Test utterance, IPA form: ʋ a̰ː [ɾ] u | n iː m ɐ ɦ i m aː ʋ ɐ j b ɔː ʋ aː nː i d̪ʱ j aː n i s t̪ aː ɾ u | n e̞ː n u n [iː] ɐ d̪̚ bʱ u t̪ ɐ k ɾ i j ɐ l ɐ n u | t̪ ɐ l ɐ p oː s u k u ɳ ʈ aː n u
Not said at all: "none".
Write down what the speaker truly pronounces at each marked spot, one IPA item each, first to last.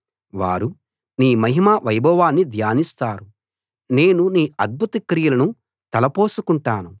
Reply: ɾ, iː

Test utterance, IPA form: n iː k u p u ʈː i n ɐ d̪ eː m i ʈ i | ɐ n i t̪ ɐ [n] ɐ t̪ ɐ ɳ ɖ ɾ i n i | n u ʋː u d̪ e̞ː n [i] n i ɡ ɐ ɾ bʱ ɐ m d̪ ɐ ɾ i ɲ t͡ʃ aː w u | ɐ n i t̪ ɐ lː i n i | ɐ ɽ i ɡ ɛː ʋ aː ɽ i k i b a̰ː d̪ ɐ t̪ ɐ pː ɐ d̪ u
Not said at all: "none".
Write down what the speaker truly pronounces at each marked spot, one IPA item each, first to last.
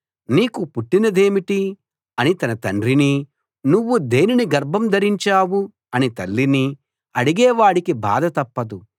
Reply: n, i

